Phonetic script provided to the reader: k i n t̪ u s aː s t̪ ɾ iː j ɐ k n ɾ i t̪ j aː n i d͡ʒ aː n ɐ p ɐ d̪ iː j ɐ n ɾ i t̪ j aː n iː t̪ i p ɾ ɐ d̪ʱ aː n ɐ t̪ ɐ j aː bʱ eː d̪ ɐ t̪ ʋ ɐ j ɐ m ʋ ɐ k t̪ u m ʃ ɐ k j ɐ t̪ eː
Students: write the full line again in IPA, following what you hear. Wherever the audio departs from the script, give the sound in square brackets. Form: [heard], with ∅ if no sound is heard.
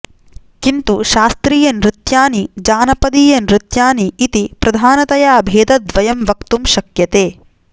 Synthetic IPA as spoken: k i n t̪ u [ʃ] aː s t̪ ɾ iː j ɐ [∅] n ɾ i t̪ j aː n i d͡ʒ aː n ɐ p ɐ d̪ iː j ɐ n ɾ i t̪ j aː n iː t̪ i p ɾ ɐ d̪ʱ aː n ɐ t̪ ɐ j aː bʱ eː d̪ ɐ [d̪] ʋ ɐ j ɐ m ʋ ɐ k t̪ u m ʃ ɐ k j ɐ t̪ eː